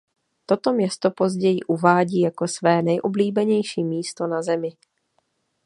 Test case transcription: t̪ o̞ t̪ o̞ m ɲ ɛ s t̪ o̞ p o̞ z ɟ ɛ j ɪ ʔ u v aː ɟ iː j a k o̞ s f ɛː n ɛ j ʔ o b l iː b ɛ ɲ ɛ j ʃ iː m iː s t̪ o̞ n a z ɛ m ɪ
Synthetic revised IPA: t̪ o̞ t̪ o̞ m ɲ ɛ s t̪ o̞ p o̞ z ɟ ɛ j ɪ ʔ u v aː ɟ iː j a k o̞ s v ɛː n ɛ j ʔ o b l iː b ɛ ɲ ɛ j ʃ iː m iː s t̪ o̞ n a z ɛ m ɪ